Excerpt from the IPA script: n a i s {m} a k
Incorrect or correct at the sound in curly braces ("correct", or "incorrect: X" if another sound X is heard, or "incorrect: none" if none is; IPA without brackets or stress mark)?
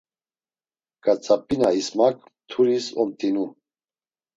correct